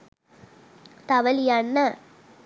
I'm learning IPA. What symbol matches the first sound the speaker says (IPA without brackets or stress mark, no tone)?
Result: t̪